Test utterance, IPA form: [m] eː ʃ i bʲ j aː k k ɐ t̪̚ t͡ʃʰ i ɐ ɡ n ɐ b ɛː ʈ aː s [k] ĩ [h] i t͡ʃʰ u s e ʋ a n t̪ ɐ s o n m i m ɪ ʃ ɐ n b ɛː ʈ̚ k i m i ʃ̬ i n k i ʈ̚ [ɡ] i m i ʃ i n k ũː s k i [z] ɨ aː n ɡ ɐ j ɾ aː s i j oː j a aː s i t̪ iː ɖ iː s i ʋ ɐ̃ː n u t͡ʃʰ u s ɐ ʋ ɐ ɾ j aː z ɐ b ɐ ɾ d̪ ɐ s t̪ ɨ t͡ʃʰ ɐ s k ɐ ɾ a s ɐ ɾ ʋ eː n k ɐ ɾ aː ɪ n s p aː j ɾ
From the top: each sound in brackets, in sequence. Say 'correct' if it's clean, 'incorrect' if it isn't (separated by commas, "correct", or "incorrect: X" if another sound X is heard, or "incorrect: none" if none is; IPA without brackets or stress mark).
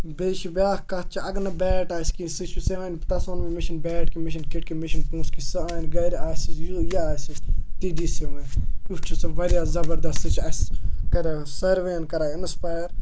incorrect: b, correct, incorrect: s, incorrect: k, incorrect: s